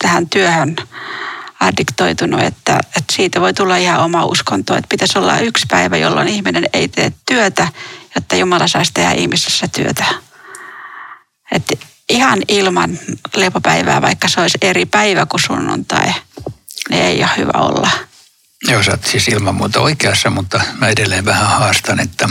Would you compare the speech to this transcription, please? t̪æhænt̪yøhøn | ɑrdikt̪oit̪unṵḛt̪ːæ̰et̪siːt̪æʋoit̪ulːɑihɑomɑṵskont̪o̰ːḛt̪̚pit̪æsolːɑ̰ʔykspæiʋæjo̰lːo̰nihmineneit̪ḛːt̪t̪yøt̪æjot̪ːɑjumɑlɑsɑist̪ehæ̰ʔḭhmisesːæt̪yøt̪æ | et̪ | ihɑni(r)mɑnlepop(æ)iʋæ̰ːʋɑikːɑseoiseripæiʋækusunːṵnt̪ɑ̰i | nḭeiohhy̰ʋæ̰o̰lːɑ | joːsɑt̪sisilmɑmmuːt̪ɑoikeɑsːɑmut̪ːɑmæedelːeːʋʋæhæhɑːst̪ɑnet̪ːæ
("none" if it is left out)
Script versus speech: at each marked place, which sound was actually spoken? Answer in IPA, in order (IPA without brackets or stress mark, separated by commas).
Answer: l, æ